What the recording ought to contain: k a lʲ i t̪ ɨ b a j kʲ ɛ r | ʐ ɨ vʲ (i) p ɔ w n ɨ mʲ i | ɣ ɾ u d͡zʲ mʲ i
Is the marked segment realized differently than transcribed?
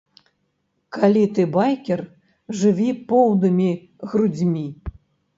no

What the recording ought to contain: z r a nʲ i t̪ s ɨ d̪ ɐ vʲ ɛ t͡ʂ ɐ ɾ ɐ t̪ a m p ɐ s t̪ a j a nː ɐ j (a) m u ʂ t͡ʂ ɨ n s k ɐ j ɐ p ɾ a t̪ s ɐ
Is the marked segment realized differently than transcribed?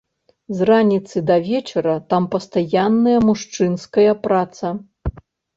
yes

